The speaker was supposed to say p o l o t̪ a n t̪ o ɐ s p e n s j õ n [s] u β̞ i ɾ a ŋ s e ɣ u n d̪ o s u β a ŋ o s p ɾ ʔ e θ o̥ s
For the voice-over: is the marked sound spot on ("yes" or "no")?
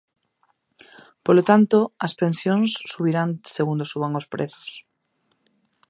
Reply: no